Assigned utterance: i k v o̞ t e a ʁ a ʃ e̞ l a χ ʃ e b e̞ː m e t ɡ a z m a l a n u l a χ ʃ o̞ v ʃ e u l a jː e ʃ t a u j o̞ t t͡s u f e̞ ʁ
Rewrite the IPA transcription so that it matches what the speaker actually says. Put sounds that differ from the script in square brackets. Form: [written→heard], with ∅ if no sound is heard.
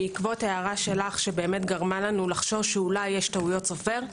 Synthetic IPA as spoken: i k v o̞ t e a ʁ a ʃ e̞ l a χ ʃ e b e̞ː m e t ɡ a [z→ʁ] m a l a n u l a χ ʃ o̞ v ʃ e u l a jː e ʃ t a u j o̞ t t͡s [u→o] f e̞ ʁ